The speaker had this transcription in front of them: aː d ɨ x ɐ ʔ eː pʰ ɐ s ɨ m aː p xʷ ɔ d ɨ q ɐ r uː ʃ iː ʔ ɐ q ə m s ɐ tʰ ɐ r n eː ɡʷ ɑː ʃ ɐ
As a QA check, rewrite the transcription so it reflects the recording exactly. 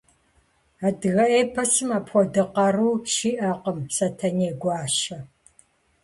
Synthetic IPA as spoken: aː d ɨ ɣ ɐ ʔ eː pʰ ɐ s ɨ m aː p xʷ ɔ d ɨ q ɐ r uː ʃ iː ʔ ɐ q ə m s ɐ tʰ ɐ n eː ɡʷ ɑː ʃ ɐ